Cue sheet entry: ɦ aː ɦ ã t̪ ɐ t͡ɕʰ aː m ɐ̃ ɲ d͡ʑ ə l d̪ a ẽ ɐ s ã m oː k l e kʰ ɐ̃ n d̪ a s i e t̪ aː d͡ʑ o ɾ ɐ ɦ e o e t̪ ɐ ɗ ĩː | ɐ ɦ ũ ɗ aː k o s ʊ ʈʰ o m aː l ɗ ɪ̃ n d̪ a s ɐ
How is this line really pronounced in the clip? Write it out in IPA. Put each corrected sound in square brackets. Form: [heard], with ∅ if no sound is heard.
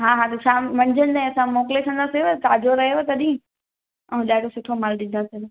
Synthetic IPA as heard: ɦ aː ɦ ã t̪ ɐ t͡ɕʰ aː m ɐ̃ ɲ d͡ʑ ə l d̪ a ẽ ɐ s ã m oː k l e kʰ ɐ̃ n d̪ a s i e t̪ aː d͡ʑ o ɾ ɐ ɦ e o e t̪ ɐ ɗ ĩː | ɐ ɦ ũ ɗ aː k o s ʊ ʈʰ o m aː l ɗ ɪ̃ n d̪ a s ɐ